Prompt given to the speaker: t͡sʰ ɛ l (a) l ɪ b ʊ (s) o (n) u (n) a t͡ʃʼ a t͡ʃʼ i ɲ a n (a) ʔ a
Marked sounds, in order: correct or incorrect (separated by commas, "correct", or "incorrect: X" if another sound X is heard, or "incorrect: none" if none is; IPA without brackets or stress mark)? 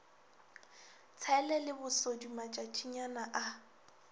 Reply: incorrect: ɛ, correct, incorrect: d, incorrect: m, correct